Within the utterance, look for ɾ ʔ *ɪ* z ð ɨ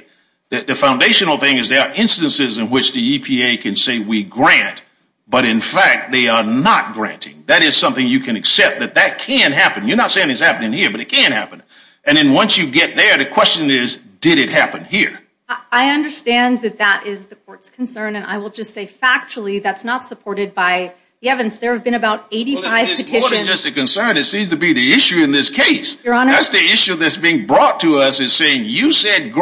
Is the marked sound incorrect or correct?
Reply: correct